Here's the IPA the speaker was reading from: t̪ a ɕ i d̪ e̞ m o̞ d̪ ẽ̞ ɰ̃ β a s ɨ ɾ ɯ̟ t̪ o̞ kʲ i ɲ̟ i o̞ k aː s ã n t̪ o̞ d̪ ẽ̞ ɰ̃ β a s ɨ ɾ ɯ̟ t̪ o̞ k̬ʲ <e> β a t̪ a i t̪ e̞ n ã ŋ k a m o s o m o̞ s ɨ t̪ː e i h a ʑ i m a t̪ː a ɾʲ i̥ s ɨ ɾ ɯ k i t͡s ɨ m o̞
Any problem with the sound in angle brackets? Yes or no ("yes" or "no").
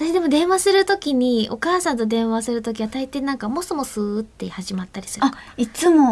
yes